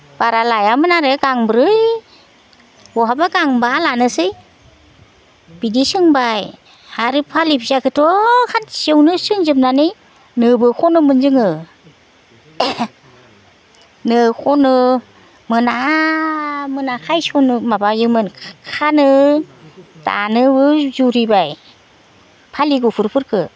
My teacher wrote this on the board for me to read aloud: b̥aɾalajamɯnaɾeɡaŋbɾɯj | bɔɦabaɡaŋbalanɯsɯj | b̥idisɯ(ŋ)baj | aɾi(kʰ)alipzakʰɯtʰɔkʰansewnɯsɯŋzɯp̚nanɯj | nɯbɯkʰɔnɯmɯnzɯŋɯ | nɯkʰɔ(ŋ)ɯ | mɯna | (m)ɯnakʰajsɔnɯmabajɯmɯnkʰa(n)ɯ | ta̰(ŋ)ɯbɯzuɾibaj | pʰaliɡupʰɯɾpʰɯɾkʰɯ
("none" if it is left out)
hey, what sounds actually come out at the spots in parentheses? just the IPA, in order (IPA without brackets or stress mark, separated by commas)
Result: ŋ, pʰ, n, m, n, n